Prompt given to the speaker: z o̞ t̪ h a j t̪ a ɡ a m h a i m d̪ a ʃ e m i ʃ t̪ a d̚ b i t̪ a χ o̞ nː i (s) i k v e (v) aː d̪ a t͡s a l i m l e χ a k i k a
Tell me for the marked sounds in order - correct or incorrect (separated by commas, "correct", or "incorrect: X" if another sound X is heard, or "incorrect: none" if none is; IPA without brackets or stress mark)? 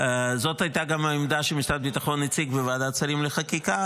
incorrect: t͡s, correct